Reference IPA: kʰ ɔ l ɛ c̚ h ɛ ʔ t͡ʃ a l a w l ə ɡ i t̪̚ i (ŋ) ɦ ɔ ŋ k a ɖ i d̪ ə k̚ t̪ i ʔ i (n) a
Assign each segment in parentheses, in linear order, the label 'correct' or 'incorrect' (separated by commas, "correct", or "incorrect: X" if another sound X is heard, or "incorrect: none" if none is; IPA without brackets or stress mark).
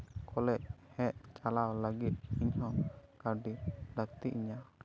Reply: incorrect: ɲ, incorrect: ɲ